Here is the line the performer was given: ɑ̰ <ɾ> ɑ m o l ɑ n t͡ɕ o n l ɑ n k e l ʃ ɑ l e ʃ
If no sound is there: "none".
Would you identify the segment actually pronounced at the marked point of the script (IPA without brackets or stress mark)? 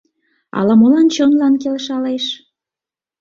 l